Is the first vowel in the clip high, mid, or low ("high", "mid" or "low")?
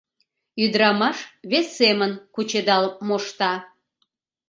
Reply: high